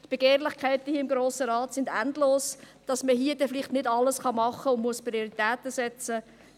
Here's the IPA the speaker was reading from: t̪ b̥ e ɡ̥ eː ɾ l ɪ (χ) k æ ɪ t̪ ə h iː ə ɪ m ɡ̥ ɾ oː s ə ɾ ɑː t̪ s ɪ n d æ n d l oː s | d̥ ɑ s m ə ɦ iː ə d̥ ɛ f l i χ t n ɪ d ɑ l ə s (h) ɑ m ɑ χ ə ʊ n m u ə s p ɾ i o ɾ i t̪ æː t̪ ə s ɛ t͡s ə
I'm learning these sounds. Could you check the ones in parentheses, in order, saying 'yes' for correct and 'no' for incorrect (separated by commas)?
yes, no